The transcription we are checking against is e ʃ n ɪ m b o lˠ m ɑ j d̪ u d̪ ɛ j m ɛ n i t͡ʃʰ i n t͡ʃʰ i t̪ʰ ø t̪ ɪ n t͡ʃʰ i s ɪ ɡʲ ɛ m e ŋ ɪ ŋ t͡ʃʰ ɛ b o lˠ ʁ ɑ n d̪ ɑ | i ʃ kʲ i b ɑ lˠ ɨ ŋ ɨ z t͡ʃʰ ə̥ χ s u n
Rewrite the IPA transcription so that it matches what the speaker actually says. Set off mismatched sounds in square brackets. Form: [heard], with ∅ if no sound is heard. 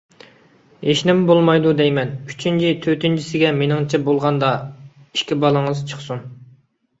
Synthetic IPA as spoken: e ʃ n ɪ m b o lˠ m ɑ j d̪ u d̪ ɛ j m ɛ n [y] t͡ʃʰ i n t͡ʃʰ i t̪ʰ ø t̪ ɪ n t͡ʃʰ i s ɪ ɡʲ ɛ m e [n] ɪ ŋ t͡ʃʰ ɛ b o lˠ ʁ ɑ n d̪ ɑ | i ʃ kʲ i b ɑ lˠ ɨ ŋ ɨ z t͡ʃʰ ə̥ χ s u n

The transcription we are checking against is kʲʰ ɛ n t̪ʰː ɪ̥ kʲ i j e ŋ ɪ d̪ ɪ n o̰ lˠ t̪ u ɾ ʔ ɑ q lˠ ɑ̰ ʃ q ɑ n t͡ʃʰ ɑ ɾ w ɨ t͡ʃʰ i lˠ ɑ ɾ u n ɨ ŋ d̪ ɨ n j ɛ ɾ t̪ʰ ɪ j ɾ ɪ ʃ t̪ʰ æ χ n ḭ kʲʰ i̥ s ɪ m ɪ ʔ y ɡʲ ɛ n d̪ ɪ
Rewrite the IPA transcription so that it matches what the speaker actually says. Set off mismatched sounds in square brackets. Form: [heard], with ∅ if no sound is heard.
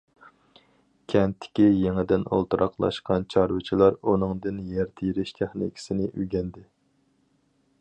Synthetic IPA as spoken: kʲʰ ɛ n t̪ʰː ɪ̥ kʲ i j e ŋ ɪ d̪ ɪ n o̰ lˠ t̪ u ɾ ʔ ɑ q lˠ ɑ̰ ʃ q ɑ n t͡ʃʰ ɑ ɾ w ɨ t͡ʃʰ i lˠ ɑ ɾ u n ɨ ŋ d̪ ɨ n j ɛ ɾ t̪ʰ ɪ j ɾ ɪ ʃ t̪ʰ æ χ n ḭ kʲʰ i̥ s ɪ [n] ɪ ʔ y ɡʲ ɛ n d̪ ɪ

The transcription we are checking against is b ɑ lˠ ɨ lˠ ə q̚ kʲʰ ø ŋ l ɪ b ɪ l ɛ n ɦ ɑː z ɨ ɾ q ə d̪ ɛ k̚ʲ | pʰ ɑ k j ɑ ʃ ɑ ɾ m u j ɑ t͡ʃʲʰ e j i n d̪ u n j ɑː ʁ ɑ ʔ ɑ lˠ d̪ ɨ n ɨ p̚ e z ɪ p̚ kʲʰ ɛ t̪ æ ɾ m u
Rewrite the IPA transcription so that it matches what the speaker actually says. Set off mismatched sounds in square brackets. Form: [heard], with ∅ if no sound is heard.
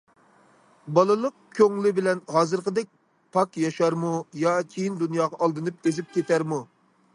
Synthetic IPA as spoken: b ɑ lˠ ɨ lˠ ə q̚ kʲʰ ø ŋ l ɪ b ɪ l ɛ n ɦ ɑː z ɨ ɾ q ə d̪ ɛ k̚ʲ | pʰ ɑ k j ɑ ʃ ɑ ɾ m u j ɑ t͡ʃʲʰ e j i n d̪ u n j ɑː ʁ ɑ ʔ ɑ lˠ d̪ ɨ n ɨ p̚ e z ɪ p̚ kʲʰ [e] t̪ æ ɾ m u

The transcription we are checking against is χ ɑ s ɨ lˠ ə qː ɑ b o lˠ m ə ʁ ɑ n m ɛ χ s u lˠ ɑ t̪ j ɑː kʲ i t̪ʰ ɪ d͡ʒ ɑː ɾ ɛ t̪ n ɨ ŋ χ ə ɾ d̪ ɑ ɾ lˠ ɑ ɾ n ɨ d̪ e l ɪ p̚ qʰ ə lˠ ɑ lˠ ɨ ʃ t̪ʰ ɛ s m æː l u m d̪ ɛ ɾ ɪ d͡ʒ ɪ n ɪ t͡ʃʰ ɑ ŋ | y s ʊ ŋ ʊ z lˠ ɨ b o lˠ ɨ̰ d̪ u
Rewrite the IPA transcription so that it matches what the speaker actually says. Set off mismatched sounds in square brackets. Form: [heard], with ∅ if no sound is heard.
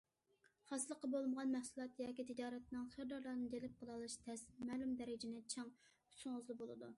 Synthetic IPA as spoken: χ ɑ s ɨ lˠ ə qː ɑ b o lˠ m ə ʁ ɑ n m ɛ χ s u lˠ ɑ t̪ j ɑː kʲ i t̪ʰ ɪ d͡ʒ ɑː ɾ ɛ t̪ n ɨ ŋ χ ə ɾ d̪ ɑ ɾ lˠ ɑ ɾ n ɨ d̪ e l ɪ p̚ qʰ ə lˠ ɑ lˠ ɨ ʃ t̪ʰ ɛ s m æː l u m d̪ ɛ ɾ ɪ d͡ʒ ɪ n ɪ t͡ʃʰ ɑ ŋ | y s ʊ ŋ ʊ z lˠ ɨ b o lˠ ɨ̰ d̪ u

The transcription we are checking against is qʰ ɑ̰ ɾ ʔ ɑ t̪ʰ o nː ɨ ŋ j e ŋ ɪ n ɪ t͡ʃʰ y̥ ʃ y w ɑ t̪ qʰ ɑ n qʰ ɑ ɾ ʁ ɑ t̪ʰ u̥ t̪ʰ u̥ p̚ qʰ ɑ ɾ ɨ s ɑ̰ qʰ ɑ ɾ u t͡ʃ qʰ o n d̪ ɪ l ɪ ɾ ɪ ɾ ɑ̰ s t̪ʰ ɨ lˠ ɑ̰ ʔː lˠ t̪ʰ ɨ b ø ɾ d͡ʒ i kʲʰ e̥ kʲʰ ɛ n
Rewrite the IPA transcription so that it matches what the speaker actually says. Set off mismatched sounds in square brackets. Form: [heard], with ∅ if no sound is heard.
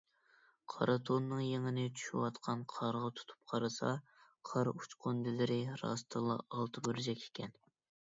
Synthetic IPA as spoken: qʰ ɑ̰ ɾ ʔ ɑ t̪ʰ o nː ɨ ŋ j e ŋ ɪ n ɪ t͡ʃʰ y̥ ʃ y w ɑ t̪ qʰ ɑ n qʰ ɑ ɾ ʁ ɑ t̪ʰ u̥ t̪ʰ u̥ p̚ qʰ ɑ ɾ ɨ s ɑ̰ qʰ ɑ ɾ u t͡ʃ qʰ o n d̪ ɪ l ɪ ɾ ɪ ɾ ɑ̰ s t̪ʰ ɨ lˠ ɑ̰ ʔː lˠ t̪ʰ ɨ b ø ɾ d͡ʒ [ɛ] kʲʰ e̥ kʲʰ ɛ n

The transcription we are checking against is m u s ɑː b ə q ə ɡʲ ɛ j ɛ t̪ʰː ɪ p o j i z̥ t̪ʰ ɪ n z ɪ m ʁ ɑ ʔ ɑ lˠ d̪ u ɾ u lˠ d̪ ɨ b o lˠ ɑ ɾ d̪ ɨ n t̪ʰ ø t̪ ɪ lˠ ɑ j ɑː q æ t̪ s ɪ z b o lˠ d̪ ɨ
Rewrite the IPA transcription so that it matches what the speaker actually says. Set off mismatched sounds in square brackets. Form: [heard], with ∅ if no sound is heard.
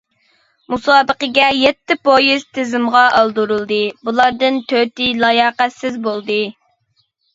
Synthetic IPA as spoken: m u s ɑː b ə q ə ɡʲ ɛ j ɛ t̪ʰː ɪ p o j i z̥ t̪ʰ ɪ [∅] z ɪ m ʁ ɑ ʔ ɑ lˠ d̪ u ɾ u lˠ d̪ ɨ b [u] lˠ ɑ ɾ d̪ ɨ n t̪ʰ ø t̪ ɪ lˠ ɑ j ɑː q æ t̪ s ɪ z b o lˠ d̪ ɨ

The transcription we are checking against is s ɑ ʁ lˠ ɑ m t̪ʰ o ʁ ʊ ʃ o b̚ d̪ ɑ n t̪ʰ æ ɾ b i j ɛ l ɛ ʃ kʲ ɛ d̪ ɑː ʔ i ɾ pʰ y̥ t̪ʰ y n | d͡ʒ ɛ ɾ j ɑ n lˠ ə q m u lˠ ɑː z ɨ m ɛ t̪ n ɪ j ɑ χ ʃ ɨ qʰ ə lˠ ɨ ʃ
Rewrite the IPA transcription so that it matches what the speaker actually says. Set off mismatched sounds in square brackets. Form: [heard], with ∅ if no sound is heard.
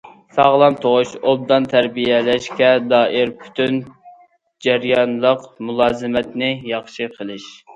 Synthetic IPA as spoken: s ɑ ʁ lˠ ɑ m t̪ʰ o ʁ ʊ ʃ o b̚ d̪ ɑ n t̪ʰ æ ɾ b i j ɛ l ɛ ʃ kʲ ɛ d̪ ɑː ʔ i ɾ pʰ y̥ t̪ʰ y n | d͡ʒ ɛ ɾ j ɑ n lˠ ə q m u lˠ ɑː z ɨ m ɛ t̪ n ɪ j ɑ χ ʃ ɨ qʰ ə lˠ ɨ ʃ

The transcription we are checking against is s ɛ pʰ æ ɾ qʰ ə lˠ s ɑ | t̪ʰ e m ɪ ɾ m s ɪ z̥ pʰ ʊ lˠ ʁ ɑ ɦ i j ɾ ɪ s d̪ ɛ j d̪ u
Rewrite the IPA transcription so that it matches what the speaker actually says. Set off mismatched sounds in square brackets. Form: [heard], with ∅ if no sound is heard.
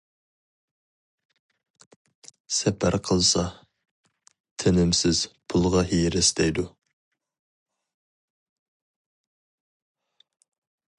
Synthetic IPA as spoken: s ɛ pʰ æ ɾ qʰ ə lˠ s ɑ | t̪ʰ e [n] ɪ [∅] m s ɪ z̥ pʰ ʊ lˠ ʁ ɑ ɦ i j ɾ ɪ s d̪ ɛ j d̪ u

